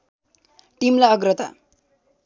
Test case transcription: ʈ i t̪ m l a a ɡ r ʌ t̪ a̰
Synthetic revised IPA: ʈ i m l a ʌ ɡ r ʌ t̪ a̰